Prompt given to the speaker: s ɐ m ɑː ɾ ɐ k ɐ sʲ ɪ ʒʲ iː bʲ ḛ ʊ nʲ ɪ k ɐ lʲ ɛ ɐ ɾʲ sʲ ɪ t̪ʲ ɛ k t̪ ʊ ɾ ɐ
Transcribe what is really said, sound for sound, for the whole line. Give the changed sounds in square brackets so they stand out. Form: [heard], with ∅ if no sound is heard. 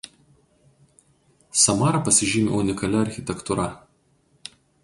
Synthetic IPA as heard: s ɐ m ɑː ɾ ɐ [p] ɐ sʲ ɪ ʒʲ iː [mʲ] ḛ ʊ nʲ ɪ k ɐ lʲ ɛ ɐ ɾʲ [xʲ] ɪ t̪ʲ ɛ k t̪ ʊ ɾ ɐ